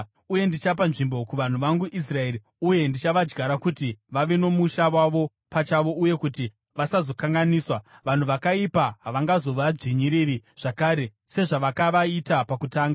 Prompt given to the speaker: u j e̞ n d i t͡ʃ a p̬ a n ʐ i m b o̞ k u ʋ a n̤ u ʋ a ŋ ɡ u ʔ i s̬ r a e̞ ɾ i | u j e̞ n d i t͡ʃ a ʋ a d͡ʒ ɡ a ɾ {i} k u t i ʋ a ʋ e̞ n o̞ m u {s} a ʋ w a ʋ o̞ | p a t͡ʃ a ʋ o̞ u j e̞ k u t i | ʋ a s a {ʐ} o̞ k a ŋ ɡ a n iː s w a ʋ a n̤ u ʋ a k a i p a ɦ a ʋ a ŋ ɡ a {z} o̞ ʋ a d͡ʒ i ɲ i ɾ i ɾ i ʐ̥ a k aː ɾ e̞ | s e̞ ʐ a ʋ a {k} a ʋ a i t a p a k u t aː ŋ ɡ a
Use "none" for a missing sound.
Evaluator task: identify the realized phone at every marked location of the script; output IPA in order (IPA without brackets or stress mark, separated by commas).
a, ʃ, z, z, k